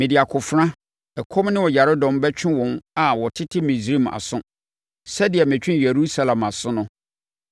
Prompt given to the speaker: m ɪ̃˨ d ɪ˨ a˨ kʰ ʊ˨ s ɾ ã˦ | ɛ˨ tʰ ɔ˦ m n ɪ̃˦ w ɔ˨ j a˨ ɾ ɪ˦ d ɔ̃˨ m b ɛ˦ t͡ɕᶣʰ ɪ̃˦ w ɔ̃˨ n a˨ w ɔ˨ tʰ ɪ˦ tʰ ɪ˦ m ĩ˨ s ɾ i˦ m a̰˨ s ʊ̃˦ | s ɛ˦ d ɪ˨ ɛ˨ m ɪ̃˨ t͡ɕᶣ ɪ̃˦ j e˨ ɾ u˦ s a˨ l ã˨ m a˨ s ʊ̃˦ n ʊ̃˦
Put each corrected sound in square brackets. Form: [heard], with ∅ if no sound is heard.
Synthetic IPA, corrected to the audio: m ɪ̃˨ d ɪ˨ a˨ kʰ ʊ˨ [f] ɾ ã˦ | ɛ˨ [kʰ] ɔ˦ m n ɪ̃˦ w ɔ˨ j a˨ ɾ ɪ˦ d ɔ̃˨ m b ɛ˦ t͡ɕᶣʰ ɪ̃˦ w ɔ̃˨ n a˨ w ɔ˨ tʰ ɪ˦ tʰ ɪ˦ m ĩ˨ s ɾ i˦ m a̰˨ s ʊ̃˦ | s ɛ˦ d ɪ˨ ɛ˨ m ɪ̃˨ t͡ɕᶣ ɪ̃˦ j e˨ ɾ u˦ s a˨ l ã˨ m a˨ s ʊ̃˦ n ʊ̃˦